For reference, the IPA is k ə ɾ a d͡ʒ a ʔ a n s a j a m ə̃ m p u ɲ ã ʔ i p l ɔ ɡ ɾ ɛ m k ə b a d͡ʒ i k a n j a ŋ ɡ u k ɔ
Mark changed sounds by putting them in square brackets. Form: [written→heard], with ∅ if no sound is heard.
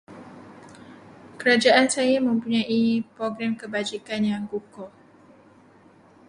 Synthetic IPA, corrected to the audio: k ə ɾ a d͡ʒ a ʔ a n s a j a m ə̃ m p u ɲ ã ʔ i p [l→ɾ] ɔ ɡ ɾ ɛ m k ə b a d͡ʒ i k a n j a ŋ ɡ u k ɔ